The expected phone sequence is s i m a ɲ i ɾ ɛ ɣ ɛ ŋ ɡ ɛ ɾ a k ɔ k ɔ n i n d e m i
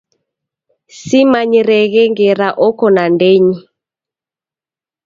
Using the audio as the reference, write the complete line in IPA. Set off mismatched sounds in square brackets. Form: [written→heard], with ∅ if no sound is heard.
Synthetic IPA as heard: s i m a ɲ i ɾ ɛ ɣ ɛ ŋ ɡ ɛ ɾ a [k→ʔ] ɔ k ɔ n [i→a] n d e [m→ɲ] i